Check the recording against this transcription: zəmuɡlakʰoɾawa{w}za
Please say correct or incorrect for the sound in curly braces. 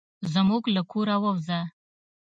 correct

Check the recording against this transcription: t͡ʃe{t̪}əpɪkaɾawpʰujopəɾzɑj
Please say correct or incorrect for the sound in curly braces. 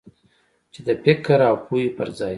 incorrect: d̪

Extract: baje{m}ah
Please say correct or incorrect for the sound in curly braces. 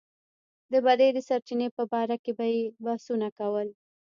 incorrect: b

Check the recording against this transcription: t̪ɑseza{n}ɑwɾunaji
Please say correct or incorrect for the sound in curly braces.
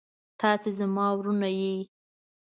incorrect: m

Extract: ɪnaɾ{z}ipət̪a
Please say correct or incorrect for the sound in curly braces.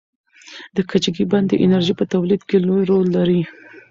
incorrect: ʒ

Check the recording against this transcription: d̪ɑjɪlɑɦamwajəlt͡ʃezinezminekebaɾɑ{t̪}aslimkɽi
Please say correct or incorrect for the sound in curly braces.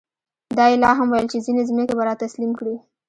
correct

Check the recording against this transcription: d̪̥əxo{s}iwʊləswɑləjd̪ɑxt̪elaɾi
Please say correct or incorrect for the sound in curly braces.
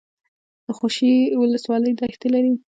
incorrect: ʃ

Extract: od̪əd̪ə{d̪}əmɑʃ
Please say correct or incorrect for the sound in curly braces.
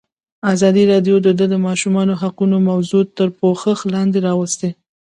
correct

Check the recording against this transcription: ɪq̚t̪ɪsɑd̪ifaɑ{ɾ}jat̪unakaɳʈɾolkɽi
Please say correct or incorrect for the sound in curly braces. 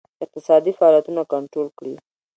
incorrect: l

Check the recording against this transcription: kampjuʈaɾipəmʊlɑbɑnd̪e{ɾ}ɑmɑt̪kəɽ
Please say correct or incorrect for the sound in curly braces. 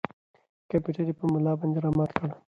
correct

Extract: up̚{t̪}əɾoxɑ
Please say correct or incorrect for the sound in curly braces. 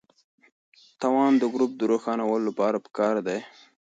incorrect: d̪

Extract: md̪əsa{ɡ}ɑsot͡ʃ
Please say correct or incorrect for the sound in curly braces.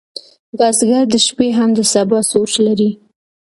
incorrect: b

